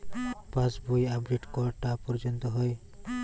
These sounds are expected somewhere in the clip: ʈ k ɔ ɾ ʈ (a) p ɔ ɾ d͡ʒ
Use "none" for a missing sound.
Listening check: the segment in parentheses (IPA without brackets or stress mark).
a